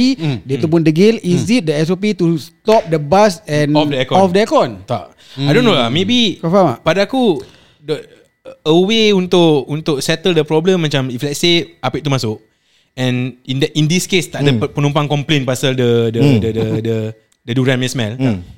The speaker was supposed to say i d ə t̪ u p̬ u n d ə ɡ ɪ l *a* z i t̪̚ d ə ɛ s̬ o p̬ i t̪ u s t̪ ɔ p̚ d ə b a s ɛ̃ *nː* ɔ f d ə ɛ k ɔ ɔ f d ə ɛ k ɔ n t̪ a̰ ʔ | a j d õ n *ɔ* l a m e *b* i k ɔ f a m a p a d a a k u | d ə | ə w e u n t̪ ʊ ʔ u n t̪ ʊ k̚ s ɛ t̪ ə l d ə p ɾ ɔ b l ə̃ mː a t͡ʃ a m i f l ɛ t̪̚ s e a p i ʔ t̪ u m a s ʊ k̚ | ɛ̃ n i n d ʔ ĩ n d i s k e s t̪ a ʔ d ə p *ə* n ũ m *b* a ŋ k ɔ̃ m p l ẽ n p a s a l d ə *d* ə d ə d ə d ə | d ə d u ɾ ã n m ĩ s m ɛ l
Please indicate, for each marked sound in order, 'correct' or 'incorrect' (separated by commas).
incorrect, incorrect, incorrect, correct, correct, incorrect, correct